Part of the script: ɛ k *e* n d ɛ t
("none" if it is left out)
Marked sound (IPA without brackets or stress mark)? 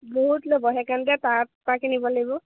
a